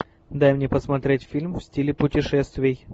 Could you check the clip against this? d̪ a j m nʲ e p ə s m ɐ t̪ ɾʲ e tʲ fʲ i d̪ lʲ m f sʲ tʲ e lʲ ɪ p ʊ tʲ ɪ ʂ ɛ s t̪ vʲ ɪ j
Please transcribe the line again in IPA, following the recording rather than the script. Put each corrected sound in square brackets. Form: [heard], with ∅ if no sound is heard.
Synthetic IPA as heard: d̪ a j m nʲ e p ə s m ɐ t̪ ɾʲ e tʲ fʲ i [∅] lʲ m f sʲ tʲ [i] lʲ ɪ p ʊ tʲ ɪ ʂ ɛ s t̪ vʲ ɪ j

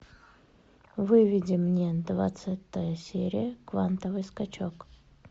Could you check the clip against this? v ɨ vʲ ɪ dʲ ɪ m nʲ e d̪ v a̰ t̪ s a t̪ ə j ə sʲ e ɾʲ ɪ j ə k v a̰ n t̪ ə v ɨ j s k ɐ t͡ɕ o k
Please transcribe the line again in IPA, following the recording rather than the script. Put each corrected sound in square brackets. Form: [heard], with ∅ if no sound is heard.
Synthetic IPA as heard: v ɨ vʲ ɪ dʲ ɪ m nʲ e d̪ v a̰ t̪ s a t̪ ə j ə sʲ e ɾʲ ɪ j ə k v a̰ n t̪ ə v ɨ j s k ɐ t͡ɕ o k

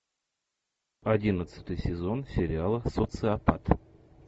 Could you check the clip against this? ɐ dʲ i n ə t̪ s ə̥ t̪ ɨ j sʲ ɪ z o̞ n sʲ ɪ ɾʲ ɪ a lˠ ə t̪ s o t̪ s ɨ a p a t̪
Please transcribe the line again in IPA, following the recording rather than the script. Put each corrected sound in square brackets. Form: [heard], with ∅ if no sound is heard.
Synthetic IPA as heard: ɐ dʲ i n ə t̪ s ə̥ t̪ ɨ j sʲ ɪ z o̞ n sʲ ɪ ɾʲ ɪ a lˠ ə [∅] s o t̪ s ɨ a p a t̪

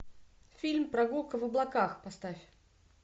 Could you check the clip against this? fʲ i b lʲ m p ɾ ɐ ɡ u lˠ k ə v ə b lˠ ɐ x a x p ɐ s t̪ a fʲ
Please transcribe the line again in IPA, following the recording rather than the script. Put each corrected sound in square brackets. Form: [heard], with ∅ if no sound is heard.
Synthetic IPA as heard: fʲ i [∅] lʲ m p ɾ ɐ ɡ u lˠ k ə v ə b lˠ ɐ [k] a x p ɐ s t̪ a fʲ

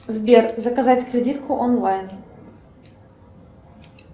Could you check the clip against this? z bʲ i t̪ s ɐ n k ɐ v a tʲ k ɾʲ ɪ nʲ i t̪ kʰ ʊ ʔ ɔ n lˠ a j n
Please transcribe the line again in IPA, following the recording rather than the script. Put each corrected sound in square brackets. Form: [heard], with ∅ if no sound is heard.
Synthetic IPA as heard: z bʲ [e] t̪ [z] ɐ [∅] k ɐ [z] a tʲ k ɾʲ ɪ [dʲ] i t̪ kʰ ʊ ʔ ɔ n lˠ a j n

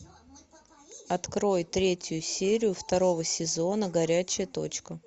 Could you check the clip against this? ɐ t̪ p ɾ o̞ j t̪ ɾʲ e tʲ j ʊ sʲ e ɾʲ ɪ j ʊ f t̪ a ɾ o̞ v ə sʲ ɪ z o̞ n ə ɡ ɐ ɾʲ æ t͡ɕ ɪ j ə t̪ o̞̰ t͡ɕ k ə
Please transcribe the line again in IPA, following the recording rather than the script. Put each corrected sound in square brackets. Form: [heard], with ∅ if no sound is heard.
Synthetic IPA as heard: ɐ t̪ [k] ɾ o̞ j t̪ ɾʲ e tʲ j ʊ sʲ e ɾʲ ɪ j ʊ f t̪ [ɐ] ɾ o̞ v ə sʲ ɪ z o̞ n ə ɡ ɐ ɾʲ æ t͡ɕ ɪ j ə t̪ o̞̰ t͡ɕ k ə

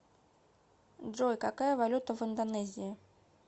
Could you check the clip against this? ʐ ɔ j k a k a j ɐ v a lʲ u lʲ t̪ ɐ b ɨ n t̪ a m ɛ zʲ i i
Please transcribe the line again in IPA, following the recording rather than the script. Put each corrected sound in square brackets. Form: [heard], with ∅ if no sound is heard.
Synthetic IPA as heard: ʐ ɔ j k a k a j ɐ v a lʲ u [∅] t̪ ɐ [v] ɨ n [d̪] a [n] ɛ zʲ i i

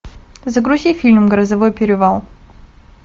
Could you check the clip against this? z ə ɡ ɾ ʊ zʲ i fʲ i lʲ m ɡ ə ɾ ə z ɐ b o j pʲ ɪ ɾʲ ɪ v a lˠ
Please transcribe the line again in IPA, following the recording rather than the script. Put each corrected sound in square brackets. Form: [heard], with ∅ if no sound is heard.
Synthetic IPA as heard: z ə ɡ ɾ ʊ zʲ i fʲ i lʲ m ɡ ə ɾ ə z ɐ [v] o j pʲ ɪ ɾʲ ɪ v a lˠ

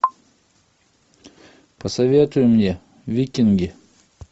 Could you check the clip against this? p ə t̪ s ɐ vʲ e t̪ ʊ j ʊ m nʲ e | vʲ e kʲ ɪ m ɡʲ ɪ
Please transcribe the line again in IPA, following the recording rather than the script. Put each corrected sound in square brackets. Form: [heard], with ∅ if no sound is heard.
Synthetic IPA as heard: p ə [∅] s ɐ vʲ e t̪ ʊ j ʊ m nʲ e | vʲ [i] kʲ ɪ [n] ɡʲ ɪ

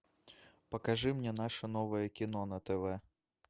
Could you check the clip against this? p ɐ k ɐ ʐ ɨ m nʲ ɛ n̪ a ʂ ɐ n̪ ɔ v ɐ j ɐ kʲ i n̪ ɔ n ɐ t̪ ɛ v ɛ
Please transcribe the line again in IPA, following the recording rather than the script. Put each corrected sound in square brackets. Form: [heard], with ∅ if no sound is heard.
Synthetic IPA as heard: p ɐ k [a] ʐ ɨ m nʲ ɛ n̪ a ʂ ɐ n̪ ɔ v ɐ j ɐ kʲ i n̪ ɔ n ɐ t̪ ɛ v ɛ

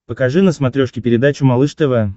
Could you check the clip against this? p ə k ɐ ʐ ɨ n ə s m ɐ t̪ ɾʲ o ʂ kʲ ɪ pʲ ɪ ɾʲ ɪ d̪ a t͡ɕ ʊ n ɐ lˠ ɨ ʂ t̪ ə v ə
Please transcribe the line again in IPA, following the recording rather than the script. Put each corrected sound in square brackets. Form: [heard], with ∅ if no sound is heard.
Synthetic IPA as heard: p ə k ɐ ʐ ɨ n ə s m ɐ t̪ ɾʲ o ʂ kʲ ɪ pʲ ɪ ɾʲ ɪ d̪ a t͡ɕ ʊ [m] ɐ lˠ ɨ ʂ t̪ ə v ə

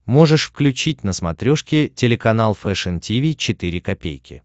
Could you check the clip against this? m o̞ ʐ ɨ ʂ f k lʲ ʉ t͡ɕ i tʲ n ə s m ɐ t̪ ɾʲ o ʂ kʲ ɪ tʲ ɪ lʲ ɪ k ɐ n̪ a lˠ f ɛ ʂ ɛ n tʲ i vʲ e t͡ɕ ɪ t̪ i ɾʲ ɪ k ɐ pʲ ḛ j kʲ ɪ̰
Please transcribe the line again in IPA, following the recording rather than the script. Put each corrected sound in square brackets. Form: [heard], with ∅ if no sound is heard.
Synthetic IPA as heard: m o̞ ʐ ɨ ʂ f k lʲ ʉ t͡ɕ i tʲ n ə s m ɐ t̪ ɾʲ o ʂ kʲ ɪ tʲ ɪ lʲ ɪ k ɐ n̪ a lˠ f ɛ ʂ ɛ n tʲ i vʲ [i] t͡ɕ ɪ t̪ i ɾʲ ɪ k ɐ pʲ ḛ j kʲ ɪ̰

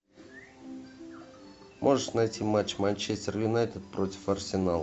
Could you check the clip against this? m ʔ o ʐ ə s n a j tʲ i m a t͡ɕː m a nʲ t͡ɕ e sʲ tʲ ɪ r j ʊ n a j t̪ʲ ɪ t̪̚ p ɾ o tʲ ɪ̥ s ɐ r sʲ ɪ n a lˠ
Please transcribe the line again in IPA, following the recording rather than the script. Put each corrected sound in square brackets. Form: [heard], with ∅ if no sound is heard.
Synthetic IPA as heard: m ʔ o ʐ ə [ʂ] n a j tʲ i m a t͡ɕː m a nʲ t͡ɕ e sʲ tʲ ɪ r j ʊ n a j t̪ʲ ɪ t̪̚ p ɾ o tʲ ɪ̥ [f] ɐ r sʲ ɪ n a lˠ

